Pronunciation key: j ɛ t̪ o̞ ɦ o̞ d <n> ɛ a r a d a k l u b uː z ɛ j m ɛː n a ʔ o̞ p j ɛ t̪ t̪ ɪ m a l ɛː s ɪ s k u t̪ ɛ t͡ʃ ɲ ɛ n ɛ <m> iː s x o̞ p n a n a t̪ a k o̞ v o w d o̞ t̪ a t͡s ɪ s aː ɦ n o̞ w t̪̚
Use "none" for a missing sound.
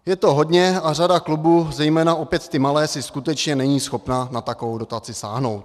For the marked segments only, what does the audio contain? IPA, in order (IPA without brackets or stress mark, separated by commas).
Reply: ɲ, ɲ